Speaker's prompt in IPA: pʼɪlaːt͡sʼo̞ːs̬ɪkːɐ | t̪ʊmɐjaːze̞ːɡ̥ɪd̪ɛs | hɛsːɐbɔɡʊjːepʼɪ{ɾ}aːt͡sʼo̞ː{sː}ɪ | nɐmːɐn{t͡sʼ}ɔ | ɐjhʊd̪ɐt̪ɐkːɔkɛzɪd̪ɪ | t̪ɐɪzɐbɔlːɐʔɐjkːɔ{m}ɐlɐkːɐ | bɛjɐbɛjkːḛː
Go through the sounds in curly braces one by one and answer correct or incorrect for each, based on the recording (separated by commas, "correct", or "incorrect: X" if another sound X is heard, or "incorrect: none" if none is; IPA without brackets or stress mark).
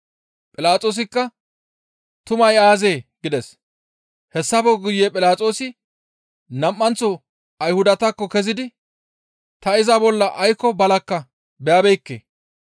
incorrect: l, incorrect: s, incorrect: t͡s, incorrect: b